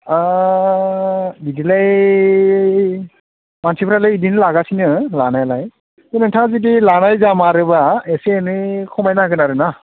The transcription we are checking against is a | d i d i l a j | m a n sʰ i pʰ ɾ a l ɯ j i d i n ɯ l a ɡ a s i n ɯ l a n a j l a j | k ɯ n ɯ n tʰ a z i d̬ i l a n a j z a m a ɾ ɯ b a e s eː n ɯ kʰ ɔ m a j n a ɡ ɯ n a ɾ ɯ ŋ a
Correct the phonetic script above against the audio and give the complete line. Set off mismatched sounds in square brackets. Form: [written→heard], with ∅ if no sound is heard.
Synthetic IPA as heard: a | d i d i l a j | m a n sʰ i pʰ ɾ a l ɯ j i d i n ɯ l a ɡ a s i n ɯ l a n a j l a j | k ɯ n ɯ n tʰ a z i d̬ i l a n a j z a m a ɾ ɯ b a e s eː n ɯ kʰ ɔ m a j n a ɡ ɯ n a ɾ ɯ [ŋ→n] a